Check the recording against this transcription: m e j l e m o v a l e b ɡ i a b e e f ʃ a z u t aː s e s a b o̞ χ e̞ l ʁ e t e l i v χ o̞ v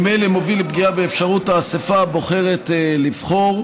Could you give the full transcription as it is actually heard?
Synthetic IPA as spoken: m e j l e m o v i l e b ɡ i a b e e f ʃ a ʁ u t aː s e f a b o̞ χ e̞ ʁ e t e l i v χ o̞ ʁ